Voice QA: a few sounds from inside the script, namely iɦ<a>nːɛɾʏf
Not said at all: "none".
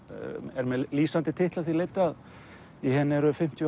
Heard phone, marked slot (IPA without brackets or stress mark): ɛ